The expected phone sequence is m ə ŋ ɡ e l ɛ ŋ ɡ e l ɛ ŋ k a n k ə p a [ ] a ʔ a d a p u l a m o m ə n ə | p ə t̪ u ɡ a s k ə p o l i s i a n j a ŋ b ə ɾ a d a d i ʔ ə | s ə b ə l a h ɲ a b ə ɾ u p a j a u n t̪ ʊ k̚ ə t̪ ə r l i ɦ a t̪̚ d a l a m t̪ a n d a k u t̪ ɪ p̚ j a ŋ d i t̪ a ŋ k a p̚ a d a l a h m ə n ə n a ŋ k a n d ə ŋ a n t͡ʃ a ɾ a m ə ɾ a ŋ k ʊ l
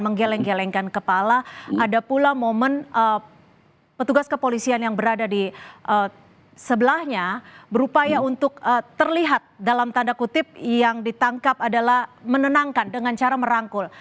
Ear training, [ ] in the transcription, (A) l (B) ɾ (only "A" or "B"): A